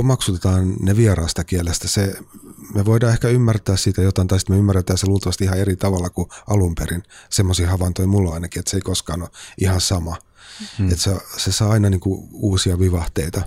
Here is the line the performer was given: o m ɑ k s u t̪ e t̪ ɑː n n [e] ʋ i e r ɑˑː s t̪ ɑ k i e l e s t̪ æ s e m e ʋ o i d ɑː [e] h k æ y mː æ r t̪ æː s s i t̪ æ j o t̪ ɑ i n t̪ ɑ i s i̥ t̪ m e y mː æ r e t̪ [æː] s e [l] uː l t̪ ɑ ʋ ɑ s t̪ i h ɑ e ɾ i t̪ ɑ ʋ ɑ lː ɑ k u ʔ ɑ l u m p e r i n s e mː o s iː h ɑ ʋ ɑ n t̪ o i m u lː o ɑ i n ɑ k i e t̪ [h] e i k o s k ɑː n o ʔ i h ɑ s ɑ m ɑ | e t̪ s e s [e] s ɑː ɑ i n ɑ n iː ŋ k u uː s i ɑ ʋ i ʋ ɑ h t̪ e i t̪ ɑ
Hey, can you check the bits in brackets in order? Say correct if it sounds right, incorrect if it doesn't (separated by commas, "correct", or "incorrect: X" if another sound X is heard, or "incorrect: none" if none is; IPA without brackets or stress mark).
correct, correct, correct, correct, incorrect: s, correct